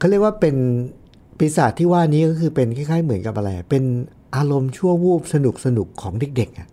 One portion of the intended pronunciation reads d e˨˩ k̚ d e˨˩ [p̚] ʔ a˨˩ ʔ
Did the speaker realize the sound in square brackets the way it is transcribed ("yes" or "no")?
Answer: no